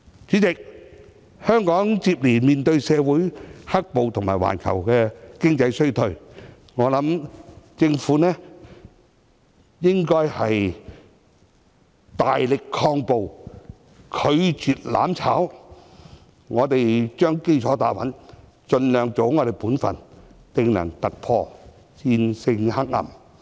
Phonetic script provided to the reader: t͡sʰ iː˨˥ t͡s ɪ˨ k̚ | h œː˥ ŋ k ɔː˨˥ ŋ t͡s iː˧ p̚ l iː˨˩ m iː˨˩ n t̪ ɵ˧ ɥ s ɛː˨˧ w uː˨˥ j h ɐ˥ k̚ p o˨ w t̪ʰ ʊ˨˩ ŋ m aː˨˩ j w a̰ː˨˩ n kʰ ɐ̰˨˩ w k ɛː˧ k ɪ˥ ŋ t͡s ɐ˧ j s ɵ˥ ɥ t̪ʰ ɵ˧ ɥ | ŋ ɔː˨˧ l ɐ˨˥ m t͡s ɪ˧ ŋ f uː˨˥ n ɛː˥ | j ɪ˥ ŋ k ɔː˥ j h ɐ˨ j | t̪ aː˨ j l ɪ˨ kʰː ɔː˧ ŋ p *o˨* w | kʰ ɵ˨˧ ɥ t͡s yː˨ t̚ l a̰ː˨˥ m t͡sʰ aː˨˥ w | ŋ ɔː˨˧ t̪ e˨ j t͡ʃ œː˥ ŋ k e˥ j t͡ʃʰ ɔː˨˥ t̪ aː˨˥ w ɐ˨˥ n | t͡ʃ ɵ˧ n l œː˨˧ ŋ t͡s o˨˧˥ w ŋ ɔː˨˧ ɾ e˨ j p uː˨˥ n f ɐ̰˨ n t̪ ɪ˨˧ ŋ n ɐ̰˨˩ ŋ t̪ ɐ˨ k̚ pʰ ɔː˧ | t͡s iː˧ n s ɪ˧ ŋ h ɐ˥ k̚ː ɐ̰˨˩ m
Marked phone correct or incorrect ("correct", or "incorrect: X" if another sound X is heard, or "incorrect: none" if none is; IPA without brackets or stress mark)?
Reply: correct